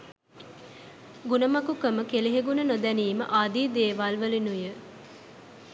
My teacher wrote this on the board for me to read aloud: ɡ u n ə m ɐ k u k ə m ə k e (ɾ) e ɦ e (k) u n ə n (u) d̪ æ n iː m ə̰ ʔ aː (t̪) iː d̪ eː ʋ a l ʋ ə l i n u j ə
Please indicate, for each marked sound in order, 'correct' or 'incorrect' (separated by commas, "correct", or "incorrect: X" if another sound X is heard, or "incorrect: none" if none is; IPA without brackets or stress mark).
incorrect: l, incorrect: ɡ, incorrect: o, incorrect: d̪